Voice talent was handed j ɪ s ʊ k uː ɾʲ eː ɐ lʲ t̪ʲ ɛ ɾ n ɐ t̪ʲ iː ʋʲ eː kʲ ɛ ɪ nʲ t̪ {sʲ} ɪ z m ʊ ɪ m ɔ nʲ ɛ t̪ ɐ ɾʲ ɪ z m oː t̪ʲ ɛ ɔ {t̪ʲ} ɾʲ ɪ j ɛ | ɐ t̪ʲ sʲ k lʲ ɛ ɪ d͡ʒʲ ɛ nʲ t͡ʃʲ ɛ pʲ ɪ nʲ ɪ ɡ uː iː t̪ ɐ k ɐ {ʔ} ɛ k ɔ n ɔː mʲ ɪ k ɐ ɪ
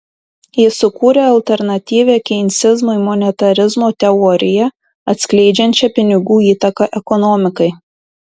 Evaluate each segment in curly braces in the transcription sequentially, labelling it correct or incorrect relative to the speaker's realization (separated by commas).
correct, incorrect, correct